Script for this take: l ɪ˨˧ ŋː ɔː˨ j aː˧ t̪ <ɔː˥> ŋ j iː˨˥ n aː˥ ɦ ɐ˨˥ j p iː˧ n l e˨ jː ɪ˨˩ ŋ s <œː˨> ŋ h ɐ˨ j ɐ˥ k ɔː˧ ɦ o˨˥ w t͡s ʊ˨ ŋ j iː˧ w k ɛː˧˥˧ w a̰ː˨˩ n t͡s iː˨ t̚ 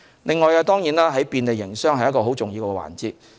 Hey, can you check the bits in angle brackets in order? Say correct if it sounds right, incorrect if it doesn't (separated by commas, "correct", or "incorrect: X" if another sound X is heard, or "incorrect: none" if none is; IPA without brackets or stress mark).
correct, incorrect: œː˥